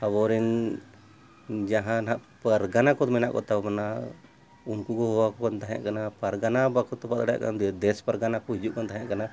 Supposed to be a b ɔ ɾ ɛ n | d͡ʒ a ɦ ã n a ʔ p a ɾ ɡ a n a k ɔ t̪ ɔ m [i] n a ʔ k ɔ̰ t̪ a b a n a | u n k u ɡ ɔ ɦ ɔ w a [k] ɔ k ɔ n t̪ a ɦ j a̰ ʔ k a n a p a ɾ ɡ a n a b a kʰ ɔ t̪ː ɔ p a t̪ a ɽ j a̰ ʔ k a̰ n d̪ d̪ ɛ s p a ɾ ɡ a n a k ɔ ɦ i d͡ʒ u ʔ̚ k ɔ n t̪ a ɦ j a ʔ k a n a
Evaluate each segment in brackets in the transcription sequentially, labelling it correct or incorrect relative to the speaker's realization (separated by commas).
incorrect, correct